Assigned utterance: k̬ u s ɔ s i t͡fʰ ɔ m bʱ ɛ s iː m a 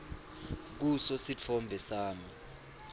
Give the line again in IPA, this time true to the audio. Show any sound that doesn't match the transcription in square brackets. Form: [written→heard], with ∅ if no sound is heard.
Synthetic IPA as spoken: k̬ u s ɔ s i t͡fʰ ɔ m bʱ ɛ s [iː→aː] m [a→i]

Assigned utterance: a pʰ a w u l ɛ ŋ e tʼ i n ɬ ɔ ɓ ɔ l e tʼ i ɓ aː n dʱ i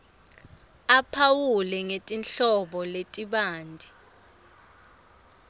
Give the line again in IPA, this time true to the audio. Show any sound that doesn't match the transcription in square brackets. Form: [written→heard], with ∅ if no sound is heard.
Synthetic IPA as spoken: a pʰ a w u l ɛ ŋ e tʼ i n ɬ ɔ ɓ ɔ l e tʼ i ɓ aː n dʱ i

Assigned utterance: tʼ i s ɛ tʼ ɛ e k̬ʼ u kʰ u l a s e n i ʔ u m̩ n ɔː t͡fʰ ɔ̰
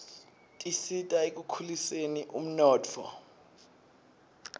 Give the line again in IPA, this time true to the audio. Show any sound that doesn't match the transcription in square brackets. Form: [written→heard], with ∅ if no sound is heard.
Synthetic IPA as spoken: tʼ i s [ɛ→i] tʼ [ɛ→a] e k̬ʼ u kʰ u l [a→i] s e n i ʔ u m̩ n ɔː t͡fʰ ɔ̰

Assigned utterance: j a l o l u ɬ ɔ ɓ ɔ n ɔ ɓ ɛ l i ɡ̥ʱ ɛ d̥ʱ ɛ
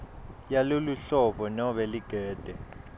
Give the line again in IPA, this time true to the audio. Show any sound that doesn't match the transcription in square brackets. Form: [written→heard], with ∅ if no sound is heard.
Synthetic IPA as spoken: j a l o l u ɬ ɔ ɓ ɔ n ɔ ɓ ɛ l i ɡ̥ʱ [ɛ→ɛː] d̥ʱ ɛ

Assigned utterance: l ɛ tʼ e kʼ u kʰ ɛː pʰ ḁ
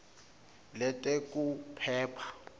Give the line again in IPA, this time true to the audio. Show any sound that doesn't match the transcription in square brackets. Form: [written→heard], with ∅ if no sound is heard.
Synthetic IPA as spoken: l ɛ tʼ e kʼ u [kʰ→pʰ] ɛː pʰ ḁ

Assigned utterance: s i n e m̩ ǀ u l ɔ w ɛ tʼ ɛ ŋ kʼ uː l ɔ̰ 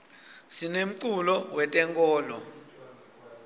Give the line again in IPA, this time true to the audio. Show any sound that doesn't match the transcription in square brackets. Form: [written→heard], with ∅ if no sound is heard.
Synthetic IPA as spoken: s i n e m̩ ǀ u l ɔ w ɛ tʼ ɛ ŋ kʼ [uː→ɔː] l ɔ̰

